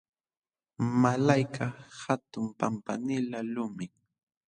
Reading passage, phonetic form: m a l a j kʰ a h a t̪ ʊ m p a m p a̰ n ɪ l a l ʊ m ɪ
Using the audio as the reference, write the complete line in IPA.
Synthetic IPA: m a l a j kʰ a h a t̪ ʊ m p a m p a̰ n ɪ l a l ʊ m ɪ